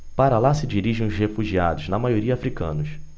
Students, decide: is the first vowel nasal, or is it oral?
oral